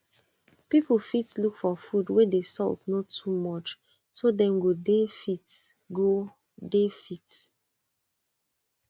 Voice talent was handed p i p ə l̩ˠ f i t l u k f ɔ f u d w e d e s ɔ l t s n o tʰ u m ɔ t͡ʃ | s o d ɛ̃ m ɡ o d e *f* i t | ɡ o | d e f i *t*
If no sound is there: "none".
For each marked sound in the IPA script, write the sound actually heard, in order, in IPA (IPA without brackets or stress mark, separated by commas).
f, t